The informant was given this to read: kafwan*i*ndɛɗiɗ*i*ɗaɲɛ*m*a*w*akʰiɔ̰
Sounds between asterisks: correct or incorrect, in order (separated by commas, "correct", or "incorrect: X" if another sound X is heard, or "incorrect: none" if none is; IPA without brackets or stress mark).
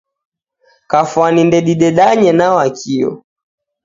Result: correct, incorrect: ɛ, incorrect: n, correct